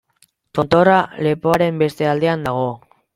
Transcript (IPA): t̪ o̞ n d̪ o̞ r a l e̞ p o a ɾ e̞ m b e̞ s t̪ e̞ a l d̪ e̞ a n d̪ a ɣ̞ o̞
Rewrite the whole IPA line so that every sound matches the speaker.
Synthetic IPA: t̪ o̞ n t̪ o̞ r a l e̞ p o a ɾ e̞ m b e̞ s t̪ e̞ a l d̪ e̞ a n d̪ a ɣ̞ o̞